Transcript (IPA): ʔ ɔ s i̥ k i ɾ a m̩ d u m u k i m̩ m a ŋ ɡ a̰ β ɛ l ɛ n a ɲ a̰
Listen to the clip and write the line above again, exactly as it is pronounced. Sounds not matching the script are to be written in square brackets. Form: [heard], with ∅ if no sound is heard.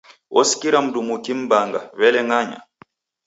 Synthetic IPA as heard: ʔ ɔ s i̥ k i ɾ a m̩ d u m u k i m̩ [b] a ŋ ɡ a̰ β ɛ l ɛ [ŋ] a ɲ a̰